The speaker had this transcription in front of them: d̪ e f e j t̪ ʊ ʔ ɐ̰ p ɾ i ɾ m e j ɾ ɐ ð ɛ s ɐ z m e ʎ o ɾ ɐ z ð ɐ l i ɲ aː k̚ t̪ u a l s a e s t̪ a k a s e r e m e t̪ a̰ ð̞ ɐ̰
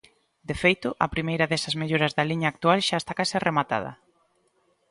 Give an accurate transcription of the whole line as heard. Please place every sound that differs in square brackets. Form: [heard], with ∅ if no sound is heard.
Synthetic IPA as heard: d̪ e f e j t̪ ʊ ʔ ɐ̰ p ɾ i [∅] m e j ɾ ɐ ð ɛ s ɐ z m e ʎ o ɾ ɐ z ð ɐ l i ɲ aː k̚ t̪ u a l [ʃ] a e s t̪ a k a s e r e m [a] t̪ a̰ ð̞ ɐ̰